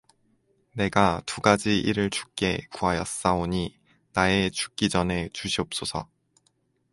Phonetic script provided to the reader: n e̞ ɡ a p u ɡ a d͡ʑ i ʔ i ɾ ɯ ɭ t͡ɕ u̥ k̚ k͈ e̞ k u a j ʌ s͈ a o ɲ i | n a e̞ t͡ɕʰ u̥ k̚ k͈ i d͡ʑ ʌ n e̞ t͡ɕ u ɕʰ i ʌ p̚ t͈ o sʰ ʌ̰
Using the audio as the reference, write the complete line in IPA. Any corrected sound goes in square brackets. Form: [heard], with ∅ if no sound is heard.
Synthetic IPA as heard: n e̞ ɡ a [t] u ɡ a d͡ʑ i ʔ i ɾ ɯ ɭ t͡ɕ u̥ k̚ k͈ e̞ k u a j ʌ s͈ a o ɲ i | n a e̞ [t͡ɕ] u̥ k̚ k͈ i d͡ʑ ʌ n e̞ t͡ɕ u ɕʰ i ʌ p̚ [s͈] o sʰ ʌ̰